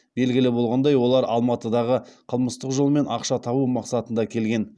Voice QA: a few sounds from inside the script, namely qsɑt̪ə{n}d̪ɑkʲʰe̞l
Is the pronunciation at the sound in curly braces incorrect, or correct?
correct